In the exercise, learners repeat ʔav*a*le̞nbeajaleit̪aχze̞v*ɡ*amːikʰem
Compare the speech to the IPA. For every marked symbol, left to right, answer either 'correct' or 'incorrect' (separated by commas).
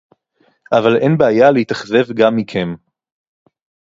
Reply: correct, correct